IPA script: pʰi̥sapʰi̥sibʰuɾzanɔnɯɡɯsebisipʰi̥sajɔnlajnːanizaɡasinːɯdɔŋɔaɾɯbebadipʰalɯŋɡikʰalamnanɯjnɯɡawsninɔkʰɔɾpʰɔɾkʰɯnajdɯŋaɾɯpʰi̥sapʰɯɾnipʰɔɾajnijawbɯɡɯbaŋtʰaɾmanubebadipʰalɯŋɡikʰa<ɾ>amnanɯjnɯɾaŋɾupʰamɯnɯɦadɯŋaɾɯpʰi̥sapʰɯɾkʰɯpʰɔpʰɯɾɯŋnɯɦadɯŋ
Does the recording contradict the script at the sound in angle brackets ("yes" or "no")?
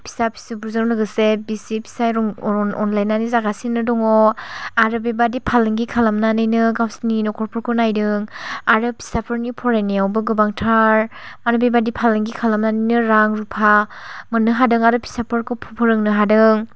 yes